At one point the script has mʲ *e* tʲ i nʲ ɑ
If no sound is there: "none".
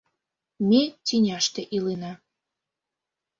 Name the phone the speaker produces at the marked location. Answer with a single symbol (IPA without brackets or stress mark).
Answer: e